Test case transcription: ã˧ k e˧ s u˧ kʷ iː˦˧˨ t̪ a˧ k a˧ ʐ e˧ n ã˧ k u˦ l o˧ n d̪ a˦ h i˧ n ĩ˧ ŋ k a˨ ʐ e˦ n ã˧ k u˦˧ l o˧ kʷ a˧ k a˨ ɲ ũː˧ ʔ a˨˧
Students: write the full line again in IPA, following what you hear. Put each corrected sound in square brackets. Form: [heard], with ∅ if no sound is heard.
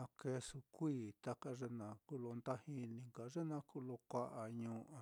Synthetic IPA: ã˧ k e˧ s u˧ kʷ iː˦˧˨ t̪ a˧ k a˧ ʐ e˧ n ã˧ k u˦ l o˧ n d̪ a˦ h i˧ n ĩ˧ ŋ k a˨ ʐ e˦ n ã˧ k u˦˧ l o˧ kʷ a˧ [ʔ] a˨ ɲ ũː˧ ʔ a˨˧